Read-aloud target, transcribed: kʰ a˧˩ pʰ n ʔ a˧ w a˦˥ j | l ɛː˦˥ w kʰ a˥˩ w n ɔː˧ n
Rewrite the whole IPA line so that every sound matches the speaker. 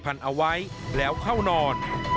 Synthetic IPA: pʰ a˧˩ n ʔ a˧ w a˦˥ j | l ɛː˦˥ w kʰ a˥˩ w n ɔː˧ n